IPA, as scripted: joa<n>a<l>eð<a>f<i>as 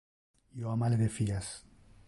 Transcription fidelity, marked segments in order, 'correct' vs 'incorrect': incorrect: m, correct, incorrect: e, correct

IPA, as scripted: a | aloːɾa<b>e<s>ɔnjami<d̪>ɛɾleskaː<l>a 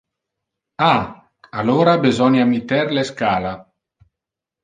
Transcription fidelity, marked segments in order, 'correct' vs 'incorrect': correct, incorrect: z, incorrect: t̪, correct

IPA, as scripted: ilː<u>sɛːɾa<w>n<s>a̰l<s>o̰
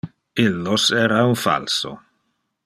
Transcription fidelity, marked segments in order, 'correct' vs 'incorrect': incorrect: o, incorrect: u, incorrect: f, correct

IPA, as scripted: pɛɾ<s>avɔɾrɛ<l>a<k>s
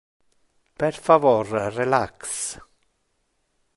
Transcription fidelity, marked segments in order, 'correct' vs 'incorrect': incorrect: f, correct, correct

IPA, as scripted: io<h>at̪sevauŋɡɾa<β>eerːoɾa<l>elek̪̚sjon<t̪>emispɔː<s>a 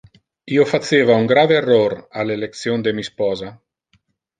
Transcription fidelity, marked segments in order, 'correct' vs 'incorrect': incorrect: f, incorrect: v, correct, incorrect: d̪, incorrect: z

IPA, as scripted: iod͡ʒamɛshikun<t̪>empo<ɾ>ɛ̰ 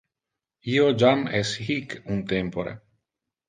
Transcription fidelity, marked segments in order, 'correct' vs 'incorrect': correct, correct

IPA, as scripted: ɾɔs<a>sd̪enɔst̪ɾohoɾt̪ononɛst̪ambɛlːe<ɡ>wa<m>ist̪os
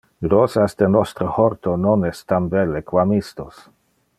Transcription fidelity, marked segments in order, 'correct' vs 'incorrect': correct, incorrect: k, correct

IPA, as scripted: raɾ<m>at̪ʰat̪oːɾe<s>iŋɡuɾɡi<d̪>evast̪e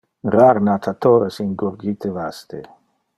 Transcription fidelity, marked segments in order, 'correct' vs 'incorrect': incorrect: n, correct, incorrect: t̪

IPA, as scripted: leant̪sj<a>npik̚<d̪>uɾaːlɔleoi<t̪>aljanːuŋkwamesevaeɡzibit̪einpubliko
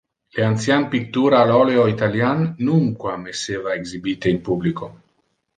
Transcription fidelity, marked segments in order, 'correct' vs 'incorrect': correct, incorrect: t̪, correct

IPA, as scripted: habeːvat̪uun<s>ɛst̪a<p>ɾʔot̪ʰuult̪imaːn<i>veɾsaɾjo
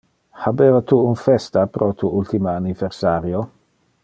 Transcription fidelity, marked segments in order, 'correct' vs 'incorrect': incorrect: f, correct, correct

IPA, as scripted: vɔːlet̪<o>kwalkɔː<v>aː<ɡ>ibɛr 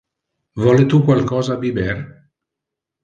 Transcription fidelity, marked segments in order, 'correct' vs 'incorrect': incorrect: u, incorrect: z, incorrect: b

